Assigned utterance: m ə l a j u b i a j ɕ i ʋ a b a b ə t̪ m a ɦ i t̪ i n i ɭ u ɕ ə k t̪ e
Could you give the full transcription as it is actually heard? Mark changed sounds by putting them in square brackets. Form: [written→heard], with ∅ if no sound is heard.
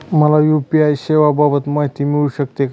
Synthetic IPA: m ə l a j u [b→p] i a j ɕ [i→e] ʋ a b a b ə t̪ m a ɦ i t̪ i [n→m] i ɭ u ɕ ə k t̪ e